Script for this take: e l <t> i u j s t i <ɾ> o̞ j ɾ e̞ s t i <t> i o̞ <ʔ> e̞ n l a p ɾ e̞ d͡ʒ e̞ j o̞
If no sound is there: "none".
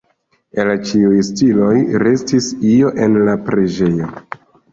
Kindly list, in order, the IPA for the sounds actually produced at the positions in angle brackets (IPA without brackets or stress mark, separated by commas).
t͡ʃ, l, s, ʔ